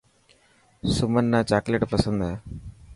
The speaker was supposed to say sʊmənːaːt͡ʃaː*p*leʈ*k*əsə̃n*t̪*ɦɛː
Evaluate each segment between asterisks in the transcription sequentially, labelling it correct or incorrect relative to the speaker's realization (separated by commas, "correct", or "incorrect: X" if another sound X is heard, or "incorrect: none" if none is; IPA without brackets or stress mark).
incorrect: k, incorrect: p, incorrect: d̪